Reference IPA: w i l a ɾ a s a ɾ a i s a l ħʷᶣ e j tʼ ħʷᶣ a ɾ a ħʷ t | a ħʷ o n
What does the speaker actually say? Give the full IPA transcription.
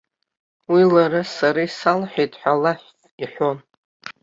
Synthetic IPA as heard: w i l a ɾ a s a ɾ a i s a l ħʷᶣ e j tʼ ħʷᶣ a l a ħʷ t | i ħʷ o n